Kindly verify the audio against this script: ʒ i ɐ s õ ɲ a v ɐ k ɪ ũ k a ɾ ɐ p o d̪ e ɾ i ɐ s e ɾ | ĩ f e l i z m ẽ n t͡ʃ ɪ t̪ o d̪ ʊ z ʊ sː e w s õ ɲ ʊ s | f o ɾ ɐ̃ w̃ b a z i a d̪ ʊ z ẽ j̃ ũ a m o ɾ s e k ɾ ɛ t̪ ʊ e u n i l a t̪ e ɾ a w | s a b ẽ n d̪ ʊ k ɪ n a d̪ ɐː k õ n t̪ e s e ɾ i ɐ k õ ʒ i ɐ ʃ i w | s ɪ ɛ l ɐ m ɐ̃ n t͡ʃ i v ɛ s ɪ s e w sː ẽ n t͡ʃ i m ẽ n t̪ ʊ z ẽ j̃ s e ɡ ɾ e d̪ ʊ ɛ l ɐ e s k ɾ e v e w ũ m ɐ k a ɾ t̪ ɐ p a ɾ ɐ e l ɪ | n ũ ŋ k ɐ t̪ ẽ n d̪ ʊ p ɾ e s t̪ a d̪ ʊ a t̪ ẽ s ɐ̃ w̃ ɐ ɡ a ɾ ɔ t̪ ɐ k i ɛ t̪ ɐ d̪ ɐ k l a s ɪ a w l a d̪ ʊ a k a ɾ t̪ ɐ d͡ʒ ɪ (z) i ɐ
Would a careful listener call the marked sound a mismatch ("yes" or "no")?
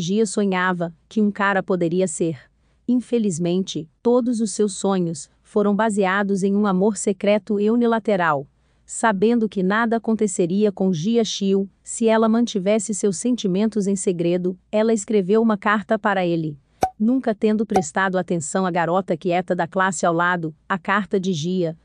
yes